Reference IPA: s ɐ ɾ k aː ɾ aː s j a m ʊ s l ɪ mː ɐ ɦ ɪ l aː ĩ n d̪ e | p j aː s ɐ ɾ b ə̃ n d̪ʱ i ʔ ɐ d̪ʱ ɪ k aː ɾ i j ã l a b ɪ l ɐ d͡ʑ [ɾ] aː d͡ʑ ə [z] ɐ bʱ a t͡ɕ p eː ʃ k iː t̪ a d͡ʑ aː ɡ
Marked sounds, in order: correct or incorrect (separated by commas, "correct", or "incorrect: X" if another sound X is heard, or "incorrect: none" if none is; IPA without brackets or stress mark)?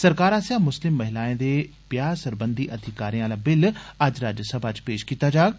correct, incorrect: s